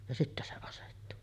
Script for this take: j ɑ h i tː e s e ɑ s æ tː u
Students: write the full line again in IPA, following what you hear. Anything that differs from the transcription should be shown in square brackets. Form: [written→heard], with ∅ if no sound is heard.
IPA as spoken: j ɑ [h→s] i tː [e→æ] s e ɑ s [æ→e] tː u